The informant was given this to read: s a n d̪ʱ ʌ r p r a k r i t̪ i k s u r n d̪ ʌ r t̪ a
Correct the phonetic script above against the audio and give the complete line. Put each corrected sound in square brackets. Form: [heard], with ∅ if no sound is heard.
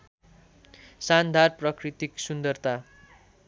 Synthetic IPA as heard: s a n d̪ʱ [a] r p r [ʌ] k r i t̪ i k s u [∅] n d̪ ʌ r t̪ a